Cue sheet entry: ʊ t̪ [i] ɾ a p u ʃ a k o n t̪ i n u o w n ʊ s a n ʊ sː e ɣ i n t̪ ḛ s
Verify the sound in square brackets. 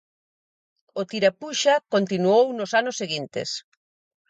correct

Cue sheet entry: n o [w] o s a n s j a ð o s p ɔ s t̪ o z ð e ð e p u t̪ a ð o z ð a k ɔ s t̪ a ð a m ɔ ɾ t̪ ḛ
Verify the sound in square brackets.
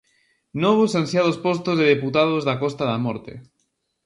incorrect: β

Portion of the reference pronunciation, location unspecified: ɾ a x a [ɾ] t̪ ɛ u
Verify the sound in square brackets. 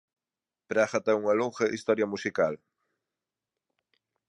incorrect: none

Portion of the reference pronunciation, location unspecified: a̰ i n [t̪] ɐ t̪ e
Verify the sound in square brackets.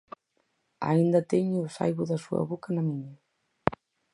incorrect: d̪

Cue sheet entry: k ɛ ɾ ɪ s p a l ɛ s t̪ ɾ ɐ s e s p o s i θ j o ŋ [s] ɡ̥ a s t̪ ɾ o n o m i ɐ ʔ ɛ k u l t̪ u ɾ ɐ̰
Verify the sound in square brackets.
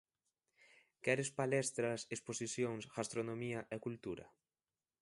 correct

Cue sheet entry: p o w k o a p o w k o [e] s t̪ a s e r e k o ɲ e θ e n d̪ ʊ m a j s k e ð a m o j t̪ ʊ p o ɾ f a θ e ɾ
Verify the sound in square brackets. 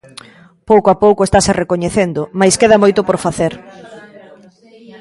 correct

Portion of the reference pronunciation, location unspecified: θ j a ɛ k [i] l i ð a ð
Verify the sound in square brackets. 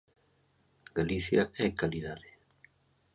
incorrect: a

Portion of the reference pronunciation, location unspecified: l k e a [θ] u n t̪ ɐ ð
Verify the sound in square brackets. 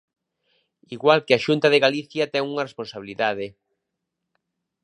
incorrect: ʃ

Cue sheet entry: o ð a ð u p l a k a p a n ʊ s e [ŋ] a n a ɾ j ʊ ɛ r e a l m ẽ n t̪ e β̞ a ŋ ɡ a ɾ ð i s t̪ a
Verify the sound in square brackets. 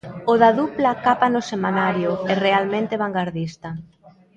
incorrect: m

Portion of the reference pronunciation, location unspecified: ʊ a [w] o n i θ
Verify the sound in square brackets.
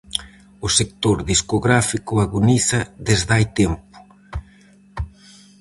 incorrect: ɣ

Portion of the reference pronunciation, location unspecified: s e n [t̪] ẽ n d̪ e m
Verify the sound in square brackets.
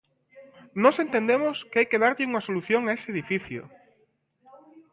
correct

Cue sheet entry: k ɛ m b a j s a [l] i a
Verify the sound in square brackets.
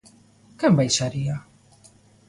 incorrect: ɾ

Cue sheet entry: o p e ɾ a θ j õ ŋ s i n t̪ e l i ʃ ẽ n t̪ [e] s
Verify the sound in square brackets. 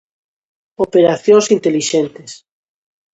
correct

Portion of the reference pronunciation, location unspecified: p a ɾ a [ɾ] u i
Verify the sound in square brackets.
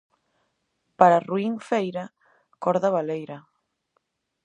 incorrect: r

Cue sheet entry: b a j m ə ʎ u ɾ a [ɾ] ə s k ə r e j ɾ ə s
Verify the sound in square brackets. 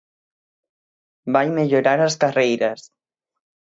correct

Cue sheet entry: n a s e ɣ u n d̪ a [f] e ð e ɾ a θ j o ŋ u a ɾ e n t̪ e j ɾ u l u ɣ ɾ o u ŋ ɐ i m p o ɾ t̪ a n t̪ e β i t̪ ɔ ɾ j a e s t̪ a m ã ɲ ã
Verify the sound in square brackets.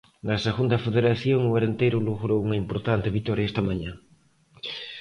correct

